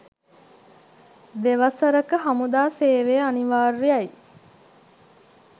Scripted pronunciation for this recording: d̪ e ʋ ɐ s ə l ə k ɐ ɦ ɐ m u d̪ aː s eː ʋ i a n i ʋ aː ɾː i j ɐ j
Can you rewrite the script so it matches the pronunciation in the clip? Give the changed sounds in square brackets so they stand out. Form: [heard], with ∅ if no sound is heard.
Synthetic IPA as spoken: d̪ e ʋ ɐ s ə [ɾ] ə k [ə] ɦ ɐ m u d̪ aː s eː ʋ [e] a n i ʋ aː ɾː i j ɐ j